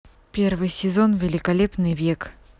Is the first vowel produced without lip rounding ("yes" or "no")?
yes